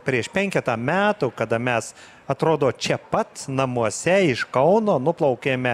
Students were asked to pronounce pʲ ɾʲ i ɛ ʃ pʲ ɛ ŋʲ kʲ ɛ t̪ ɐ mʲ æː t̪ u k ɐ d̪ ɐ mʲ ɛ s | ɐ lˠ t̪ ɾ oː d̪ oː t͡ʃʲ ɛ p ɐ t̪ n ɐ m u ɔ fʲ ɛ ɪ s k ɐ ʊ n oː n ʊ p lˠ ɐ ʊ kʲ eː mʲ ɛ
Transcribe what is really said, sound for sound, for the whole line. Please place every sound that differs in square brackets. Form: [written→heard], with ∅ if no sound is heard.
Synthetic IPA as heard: pʲ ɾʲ i ɛ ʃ pʲ ɛ ŋʲ kʲ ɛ t̪ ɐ mʲ æː t̪ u k ɐ d̪ ɐ mʲ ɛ s | ɐ [lˠ→∅] t̪ ɾ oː d̪ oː t͡ʃʲ ɛ p ɐ t̪ n ɐ m u ɔ [fʲ→sʲ] ɛ ɪ [s→ʃ] k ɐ ʊ n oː n ʊ p lˠ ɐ ʊ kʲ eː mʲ ɛ